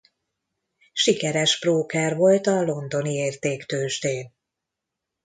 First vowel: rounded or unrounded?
unrounded